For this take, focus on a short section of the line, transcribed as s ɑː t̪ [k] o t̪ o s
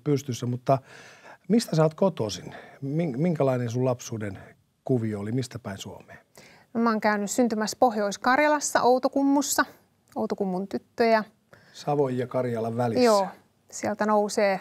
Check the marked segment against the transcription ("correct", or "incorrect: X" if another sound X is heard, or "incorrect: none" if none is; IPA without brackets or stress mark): correct